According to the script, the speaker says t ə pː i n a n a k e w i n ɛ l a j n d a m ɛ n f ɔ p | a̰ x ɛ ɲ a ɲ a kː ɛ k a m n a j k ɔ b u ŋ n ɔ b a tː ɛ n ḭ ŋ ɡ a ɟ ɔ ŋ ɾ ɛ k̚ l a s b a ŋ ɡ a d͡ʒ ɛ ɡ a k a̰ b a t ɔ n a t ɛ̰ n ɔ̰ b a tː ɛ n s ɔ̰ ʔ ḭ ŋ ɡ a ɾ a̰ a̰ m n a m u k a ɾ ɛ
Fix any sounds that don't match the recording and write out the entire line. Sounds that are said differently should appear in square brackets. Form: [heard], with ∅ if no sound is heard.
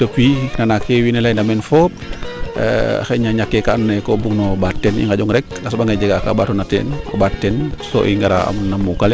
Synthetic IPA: t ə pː i n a n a k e w i n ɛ l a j n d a m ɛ n f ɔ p | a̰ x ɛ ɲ a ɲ a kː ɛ k a [n] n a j k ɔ b u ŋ n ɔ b a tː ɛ n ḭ ŋ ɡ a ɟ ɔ ŋ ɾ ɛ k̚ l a s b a ŋ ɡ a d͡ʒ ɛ ɡ a k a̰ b a t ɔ n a t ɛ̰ n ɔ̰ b a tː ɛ n s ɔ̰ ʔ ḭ ŋ ɡ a ɾ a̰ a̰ m n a m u k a [l] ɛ

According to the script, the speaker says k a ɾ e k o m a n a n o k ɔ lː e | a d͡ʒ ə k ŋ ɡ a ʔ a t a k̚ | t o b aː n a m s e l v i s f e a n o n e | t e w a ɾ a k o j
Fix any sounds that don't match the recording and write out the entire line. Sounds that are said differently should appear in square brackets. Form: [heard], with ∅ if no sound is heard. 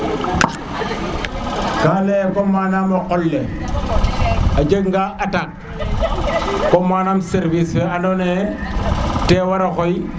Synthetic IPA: k a [l] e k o m a n a [m] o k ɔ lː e | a d͡ʒ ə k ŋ ɡ a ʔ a t a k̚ | [k] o [m] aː n a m s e [ɾ] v i s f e a n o n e | t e w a ɾ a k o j

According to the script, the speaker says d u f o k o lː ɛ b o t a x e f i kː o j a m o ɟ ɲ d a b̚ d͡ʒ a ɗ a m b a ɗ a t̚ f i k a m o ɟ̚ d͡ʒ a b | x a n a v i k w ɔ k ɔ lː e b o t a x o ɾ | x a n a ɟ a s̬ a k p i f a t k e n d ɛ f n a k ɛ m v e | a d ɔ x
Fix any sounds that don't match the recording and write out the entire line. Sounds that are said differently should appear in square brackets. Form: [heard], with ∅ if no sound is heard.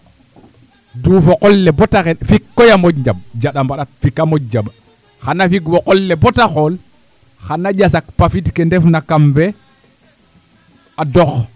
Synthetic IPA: d u f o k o lː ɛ b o t a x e f i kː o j a m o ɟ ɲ [d͡ʒ] a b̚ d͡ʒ a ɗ a m b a ɗ a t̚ f i k a m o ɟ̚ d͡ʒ a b | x a n a [f] i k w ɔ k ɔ lː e b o t a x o [l] | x a n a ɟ a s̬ a k p [a] f [i] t k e n d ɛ f n a k [a] m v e | a d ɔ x

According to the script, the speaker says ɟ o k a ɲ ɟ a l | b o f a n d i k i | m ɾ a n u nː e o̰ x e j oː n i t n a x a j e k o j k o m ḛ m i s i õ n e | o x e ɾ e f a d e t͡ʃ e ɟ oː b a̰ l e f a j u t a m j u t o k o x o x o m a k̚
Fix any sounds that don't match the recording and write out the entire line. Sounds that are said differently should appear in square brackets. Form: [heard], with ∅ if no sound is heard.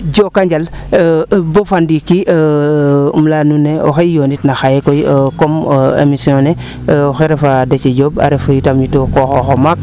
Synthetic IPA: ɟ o k a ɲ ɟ a l | b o f a n d i k i | m [l] a n u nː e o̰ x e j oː n i t n a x a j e k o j k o m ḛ m i s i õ n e | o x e ɾ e f a d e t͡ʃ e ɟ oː b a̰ [ɾ] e f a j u t a m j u t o k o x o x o m a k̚

